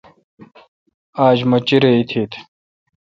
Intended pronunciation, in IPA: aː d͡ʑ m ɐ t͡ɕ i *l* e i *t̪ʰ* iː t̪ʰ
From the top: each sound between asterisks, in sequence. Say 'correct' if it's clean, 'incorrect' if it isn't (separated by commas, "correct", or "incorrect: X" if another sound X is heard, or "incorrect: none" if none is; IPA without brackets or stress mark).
incorrect: ɾ, correct